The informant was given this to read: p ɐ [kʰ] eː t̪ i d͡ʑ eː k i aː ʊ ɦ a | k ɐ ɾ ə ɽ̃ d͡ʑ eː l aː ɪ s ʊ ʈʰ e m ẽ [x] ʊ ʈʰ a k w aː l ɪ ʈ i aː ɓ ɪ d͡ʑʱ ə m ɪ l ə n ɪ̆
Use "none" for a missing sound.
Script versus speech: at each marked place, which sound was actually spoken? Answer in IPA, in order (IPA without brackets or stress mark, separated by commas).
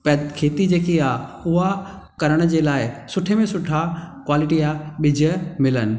kʰ, s